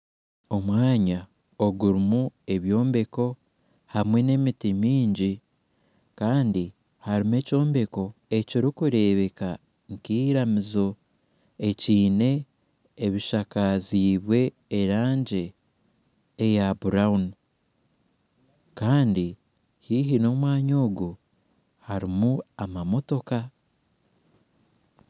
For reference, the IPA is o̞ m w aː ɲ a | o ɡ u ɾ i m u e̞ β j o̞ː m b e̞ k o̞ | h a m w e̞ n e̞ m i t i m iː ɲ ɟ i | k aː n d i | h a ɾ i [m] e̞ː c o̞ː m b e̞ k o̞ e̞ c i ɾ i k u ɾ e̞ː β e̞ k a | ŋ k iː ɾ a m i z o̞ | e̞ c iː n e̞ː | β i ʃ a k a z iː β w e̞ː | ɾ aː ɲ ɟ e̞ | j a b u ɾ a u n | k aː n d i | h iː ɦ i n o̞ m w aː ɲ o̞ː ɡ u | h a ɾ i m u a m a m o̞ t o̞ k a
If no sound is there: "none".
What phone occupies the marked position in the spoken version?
m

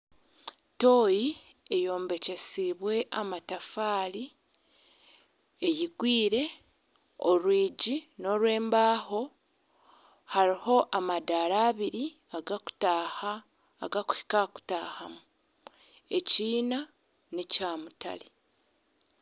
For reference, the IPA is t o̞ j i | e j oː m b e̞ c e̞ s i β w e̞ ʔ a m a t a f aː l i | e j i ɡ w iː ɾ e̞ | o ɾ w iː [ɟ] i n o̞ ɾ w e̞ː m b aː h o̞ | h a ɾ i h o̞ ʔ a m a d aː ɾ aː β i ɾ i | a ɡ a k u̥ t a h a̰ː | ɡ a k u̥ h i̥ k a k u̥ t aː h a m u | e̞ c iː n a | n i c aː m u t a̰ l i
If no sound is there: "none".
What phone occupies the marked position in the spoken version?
ɟ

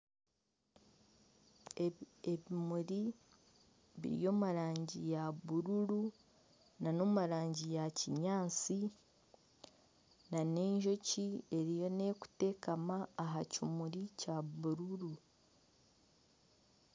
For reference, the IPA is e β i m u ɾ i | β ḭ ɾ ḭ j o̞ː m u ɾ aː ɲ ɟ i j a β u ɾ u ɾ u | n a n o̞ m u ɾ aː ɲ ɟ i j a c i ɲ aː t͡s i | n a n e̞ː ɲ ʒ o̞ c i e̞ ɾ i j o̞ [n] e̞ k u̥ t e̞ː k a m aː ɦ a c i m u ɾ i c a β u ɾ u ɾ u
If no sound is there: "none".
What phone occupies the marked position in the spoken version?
n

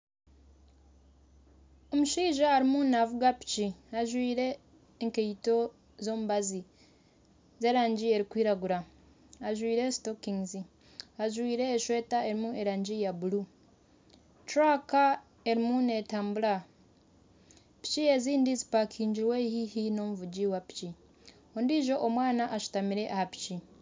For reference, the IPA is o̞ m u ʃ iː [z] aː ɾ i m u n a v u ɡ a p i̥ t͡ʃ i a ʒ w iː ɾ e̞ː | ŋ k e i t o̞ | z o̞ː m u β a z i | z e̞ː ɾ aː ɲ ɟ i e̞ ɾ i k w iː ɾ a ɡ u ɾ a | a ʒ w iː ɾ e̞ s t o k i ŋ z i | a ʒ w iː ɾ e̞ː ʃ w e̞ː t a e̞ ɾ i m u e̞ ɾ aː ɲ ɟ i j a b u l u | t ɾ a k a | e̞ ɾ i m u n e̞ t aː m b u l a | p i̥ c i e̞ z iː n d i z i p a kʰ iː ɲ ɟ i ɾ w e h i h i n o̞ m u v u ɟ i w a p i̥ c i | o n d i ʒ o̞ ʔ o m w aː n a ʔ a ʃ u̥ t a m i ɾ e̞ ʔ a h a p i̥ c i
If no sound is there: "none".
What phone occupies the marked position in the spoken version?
ʒ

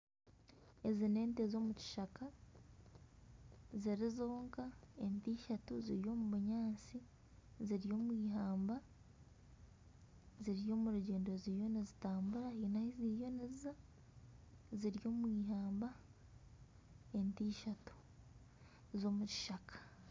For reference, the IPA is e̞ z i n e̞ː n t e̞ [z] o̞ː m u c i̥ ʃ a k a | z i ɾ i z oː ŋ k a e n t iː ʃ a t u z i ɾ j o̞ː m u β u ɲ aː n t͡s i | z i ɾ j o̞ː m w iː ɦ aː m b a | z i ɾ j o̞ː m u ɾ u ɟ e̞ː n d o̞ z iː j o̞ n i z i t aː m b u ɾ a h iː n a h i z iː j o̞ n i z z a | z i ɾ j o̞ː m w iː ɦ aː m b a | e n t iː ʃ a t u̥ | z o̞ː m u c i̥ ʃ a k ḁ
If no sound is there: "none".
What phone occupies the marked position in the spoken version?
z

